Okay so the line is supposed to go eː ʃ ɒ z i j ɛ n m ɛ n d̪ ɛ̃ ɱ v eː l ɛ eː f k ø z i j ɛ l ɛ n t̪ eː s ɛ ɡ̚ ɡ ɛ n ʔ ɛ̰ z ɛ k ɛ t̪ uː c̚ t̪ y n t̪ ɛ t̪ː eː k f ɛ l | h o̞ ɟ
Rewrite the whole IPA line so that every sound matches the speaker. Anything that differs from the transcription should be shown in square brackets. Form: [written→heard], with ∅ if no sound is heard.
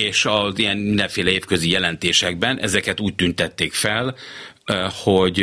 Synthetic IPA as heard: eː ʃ ɒ z i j ɛ n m [ɛ→i] n d̪ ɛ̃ ɱ [v→f] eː l ɛ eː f k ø z i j ɛ l ɛ n t̪ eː [s→ʃ] ɛ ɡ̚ [ɡ→b] ɛ n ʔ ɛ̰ z ɛ k ɛ t̪ uː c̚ t̪ y n t̪ ɛ t̪ː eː k f ɛ l | h o̞ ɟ